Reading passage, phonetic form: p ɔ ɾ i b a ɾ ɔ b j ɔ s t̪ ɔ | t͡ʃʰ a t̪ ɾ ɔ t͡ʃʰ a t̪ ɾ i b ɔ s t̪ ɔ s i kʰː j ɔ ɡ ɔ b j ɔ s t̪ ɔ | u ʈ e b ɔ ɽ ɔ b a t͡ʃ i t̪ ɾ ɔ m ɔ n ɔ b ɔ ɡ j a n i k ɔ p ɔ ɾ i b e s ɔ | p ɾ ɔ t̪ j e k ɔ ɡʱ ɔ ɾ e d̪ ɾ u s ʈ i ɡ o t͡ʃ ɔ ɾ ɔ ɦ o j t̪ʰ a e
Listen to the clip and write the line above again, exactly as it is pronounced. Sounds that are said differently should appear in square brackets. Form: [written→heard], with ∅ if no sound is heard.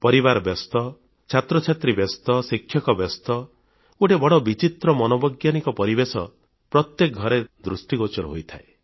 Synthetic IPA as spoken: p ɔ ɾ i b a ɾ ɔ b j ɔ s t̪ ɔ | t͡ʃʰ a t̪ ɾ ɔ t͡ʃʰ a t̪ ɾ i b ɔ s t̪ ɔ s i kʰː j ɔ [ɡ→k] ɔ b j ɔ s t̪ ɔ | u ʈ e b ɔ ɽ ɔ b [a→i] t͡ʃ i t̪ ɾ ɔ m ɔ n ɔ b ɔ ɡ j a n i k ɔ p ɔ ɾ i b e s ɔ | p ɾ ɔ t̪ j e k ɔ ɡʱ ɔ ɾ e d̪ ɾ u s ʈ i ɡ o t͡ʃ ɔ ɾ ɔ ɦ o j t̪ʰ a e